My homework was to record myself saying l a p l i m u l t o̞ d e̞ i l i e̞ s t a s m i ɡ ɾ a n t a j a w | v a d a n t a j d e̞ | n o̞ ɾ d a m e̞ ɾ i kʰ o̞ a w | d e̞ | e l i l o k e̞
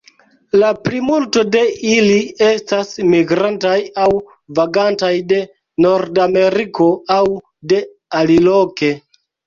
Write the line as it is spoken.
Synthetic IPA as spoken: l a p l i m u l t o̞ d e̞ i l i e̞ s t a s m i ɡ ɾ a n t a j a w | v a ɡ a n t a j d e̞ | n o̞ ɾ d a m e̞ ɾ i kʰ o̞ a w | d e̞ | a l i l o k e̞

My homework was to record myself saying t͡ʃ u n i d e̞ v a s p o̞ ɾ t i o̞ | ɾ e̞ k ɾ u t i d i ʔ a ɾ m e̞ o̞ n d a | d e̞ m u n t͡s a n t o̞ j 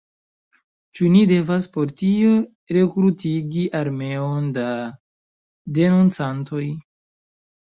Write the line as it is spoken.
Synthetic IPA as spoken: t͡ʃ u n i d e̞ v a s p o̞ ɾ t i o̞ | ɾ e̞ k ɾ u t i ɡ i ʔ a ɾ m e̞ o̞ n d a | d e̞ n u n t͡s a n t o̞ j

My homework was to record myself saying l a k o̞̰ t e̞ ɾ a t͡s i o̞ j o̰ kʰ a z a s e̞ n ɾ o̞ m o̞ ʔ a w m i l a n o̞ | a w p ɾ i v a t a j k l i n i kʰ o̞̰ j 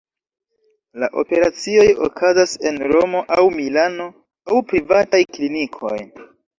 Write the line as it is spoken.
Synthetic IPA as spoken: l a ʔ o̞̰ p e̞ ɾ a t͡s i o̞ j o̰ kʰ a z a s e̞ n ɾ o̞ m o̞ ʔ a w m i l a n o̞ | a w p ɾ i v a t a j k l i n i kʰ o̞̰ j

